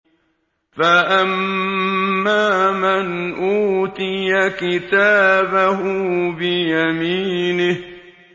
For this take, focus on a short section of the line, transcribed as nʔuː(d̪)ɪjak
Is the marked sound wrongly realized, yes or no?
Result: yes